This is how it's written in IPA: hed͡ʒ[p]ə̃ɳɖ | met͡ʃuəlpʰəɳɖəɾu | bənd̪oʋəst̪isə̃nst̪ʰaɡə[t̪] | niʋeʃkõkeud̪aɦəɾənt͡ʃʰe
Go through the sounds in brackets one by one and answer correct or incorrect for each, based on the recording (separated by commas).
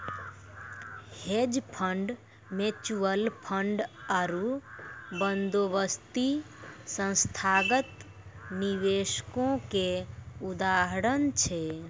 incorrect, correct